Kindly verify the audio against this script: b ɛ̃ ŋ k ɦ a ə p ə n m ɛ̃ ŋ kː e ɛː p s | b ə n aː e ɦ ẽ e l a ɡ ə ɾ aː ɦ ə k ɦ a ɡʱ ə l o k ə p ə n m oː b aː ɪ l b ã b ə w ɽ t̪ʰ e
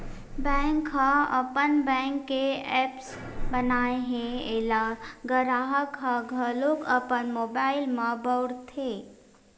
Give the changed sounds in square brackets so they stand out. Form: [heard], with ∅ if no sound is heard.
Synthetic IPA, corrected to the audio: b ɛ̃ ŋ k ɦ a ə p ə n [b] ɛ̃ ŋ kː e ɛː p s | b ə n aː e ɦ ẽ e l a ɡ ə ɾ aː ɦ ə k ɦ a ɡʱ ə l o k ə p ə n m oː b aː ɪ l [m] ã b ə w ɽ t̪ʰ e

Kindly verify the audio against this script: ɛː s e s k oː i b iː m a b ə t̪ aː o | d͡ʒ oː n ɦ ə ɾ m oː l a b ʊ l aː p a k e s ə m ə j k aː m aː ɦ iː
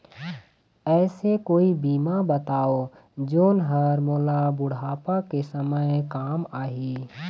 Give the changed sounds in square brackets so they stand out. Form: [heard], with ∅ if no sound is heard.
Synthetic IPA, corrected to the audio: ɛː s e [∅] k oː i b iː m a b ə t̪ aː o | d͡ʒ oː n ɦ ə ɾ m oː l a b ʊ [ɽ] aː p a k e s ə m ə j k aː m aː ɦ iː

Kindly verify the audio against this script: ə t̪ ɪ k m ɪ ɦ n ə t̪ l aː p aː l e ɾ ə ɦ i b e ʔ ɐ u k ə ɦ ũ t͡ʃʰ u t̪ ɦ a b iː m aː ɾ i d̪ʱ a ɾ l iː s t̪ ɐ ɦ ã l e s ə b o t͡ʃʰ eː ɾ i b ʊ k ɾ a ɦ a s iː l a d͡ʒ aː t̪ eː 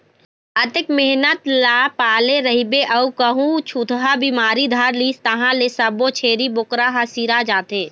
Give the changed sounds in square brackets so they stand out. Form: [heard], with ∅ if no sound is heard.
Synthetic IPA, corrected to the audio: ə t̪ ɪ k m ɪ ɦ n ə t̪ l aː p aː l e ɾ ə ɦ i b e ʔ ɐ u k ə ɦ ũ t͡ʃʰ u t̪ ɦ a b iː m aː ɾ i d̪ʱ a ɾ l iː s t̪ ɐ ɦ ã l e s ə b o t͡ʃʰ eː ɾ i b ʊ k ɾ a ɦ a s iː [ɾ] a d͡ʒ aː t̪ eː

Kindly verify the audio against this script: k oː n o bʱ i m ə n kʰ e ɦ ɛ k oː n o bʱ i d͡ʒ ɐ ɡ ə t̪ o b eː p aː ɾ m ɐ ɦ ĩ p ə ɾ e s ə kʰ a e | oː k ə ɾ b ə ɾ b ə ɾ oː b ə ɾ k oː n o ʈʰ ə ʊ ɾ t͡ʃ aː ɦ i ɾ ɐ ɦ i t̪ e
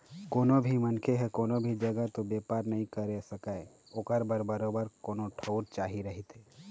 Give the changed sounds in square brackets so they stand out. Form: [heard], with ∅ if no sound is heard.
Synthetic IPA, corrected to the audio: k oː n o bʱ i m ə n kʰ e ɦ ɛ k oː n o bʱ i d͡ʒ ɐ ɡ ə t̪ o b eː p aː ɾ [n] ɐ ɦ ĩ [k] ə ɾ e s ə [k] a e | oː k ə ɾ b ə ɾ b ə ɾ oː b ə ɾ k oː n o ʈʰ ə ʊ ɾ t͡ʃ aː ɦ i ɾ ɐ ɦ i t̪ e

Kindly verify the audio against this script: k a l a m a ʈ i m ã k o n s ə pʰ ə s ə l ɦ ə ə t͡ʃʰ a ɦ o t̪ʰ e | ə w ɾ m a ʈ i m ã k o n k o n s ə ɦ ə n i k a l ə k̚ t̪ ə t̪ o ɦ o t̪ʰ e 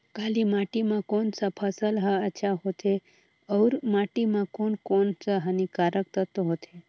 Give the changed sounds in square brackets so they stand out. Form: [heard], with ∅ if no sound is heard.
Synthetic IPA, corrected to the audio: k a l [i] m a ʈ i m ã k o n s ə pʰ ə s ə l ɦ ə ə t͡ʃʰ a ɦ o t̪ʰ e | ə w ɾ m a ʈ i m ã k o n k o n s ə ɦ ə n i k a [ɾ] ə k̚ t̪ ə t̪ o ɦ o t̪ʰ e

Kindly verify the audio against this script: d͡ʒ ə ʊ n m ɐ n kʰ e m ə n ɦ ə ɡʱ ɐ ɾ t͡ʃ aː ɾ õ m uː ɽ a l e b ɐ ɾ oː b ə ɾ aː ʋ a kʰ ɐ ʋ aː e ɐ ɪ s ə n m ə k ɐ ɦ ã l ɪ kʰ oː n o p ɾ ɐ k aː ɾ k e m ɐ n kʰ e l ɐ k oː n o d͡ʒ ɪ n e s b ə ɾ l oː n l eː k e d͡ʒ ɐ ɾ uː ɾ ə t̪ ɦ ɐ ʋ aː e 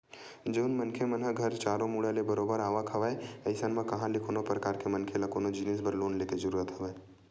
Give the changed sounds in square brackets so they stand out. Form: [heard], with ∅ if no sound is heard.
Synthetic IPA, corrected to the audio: d͡ʒ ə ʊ n m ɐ n kʰ e m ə n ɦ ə ɡʱ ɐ ɾ t͡ʃ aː ɾ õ m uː ɽ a l e b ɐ ɾ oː b ə ɾ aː ʋ a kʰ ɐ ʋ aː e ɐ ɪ s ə n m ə k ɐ ɦ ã l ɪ kʰ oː n o p ɾ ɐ k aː ɾ k e m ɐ n kʰ e l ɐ k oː n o d͡ʒ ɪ n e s b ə ɾ l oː n l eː k e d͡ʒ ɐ ɾ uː ɾ ə t̪ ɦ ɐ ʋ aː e

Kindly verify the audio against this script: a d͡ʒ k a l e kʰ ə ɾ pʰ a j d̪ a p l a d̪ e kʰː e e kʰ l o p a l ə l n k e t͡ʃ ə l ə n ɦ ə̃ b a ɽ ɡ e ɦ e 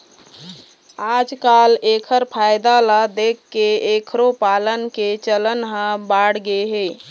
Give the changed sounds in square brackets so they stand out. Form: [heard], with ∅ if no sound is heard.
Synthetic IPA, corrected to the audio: a d͡ʒ k a l e kʰ ə ɾ pʰ a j d̪ a [∅] l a d̪ e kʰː e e kʰ [ɾ] o p a l ə [∅] n k e t͡ʃ ə l ə n ɦ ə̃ b a ɽ ɡ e ɦ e

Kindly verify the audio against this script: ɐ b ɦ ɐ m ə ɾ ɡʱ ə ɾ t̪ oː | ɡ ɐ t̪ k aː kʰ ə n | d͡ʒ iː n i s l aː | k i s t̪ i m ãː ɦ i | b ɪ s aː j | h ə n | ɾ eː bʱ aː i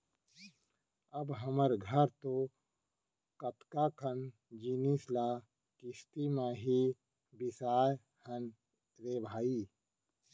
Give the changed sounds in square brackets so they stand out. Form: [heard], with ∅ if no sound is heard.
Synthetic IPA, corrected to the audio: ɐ b ɦ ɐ m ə ɾ ɡʱ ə ɾ t̪ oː | [k] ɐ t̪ k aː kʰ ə n | d͡ʒ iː n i s l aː | k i s t̪ i m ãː ɦ i | b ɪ s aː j | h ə n | ɾ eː bʱ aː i

